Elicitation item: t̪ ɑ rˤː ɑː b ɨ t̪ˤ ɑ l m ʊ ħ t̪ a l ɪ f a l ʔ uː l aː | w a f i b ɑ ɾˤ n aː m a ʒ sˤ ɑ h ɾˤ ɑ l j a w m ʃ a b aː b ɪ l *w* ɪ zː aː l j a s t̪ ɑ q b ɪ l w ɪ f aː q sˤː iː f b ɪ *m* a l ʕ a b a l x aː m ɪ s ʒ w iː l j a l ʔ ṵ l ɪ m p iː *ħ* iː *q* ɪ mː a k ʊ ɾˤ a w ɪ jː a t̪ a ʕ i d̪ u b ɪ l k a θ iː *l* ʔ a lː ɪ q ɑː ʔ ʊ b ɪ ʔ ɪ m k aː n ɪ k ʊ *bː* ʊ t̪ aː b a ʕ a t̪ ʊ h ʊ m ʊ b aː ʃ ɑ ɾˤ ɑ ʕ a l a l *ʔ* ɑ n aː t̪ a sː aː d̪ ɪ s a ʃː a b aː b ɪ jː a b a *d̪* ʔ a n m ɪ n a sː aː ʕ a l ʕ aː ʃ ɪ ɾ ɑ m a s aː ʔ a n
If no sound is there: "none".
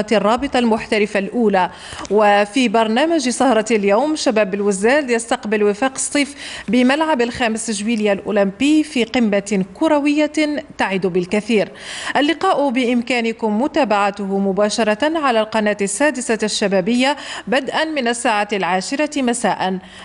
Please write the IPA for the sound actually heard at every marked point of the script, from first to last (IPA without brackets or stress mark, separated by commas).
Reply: w, m, f, q, ɾ, mː, q, d̪